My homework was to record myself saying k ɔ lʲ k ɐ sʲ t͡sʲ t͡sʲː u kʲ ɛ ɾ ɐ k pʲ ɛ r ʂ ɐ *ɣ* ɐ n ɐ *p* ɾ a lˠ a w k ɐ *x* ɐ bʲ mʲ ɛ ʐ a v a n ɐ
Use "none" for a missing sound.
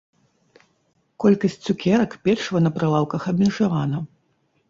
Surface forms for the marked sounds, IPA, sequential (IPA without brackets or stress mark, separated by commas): v, p, x